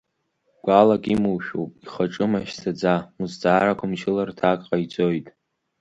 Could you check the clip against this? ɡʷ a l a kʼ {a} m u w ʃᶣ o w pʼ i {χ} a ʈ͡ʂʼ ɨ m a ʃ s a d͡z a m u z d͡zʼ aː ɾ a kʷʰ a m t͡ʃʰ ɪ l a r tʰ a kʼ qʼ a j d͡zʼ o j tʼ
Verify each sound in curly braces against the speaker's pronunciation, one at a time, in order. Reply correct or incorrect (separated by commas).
incorrect, correct